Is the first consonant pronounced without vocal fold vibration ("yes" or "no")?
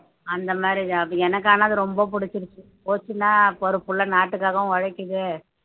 no